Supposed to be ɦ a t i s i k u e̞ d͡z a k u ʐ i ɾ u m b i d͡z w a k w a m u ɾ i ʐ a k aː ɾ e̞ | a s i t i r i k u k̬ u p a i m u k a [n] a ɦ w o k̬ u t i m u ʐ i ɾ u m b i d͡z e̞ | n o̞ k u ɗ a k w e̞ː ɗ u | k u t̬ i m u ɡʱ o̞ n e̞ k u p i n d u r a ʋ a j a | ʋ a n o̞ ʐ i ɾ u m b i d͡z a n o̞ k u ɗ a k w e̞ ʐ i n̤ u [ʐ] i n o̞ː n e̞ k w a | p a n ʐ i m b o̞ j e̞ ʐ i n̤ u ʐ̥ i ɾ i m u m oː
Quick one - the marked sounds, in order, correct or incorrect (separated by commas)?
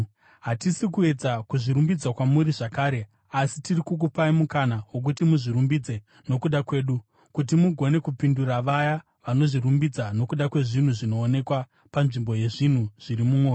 correct, correct